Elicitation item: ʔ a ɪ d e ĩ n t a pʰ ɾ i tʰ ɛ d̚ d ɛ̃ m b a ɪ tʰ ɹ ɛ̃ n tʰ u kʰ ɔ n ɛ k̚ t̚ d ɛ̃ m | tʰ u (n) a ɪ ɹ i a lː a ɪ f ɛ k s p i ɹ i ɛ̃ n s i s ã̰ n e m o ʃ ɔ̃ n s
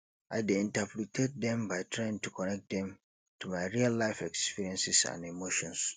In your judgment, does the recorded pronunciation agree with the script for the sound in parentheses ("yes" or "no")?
no